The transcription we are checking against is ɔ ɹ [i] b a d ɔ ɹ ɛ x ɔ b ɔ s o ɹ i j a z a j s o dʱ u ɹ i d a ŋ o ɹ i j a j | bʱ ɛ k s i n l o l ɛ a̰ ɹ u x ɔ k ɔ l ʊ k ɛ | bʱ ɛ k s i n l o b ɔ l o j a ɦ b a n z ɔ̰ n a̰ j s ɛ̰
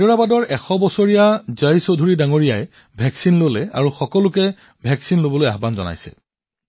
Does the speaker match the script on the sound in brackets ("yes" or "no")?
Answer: no